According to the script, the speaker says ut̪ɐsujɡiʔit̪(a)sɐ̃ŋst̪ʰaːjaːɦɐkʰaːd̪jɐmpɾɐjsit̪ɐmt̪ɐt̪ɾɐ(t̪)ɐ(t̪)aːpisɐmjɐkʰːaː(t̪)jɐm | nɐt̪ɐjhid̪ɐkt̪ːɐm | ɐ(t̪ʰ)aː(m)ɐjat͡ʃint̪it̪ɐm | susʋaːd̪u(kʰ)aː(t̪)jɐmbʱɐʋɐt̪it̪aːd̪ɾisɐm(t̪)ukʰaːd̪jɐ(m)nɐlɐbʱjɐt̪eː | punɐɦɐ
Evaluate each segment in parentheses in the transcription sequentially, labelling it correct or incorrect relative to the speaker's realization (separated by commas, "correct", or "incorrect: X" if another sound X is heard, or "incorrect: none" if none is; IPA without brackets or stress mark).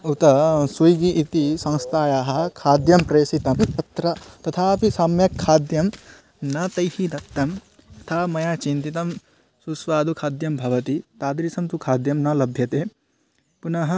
incorrect: i, correct, incorrect: t̪ʰ, incorrect: d̪, correct, correct, correct, incorrect: d̪, correct, correct